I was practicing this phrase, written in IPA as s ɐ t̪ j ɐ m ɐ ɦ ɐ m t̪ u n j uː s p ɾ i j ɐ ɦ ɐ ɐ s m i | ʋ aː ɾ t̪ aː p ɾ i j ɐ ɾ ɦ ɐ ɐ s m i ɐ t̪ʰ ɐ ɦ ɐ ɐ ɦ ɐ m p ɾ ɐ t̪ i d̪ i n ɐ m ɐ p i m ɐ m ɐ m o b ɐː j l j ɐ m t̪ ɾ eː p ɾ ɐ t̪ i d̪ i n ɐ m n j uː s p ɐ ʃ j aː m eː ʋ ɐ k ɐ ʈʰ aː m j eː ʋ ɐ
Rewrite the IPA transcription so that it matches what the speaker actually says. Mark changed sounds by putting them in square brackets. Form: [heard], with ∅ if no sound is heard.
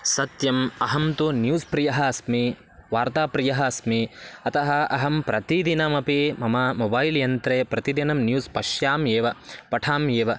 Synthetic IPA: s ɐ t̪ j ɐ m ɐ ɦ ɐ m t̪ u n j uː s p ɾ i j ɐ ɦ ɐ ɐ s m i | ʋ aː ɾ t̪ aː p ɾ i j ɐ [∅] ɦ ɐ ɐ s m i ɐ [t̪] ɐ ɦ ɐ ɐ ɦ ɐ m p ɾ ɐ t̪ i d̪ i n ɐ m ɐ p i m ɐ m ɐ m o b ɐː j l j ɐ [n] t̪ ɾ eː p ɾ ɐ t̪ i d̪ i n ɐ m n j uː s p ɐ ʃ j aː m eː ʋ ɐ [p] ɐ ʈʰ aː m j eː ʋ ɐ